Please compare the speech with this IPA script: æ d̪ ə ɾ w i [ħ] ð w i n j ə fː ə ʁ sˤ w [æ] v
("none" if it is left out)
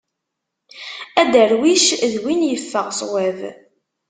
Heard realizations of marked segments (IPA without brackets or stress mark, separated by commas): ʃ, æ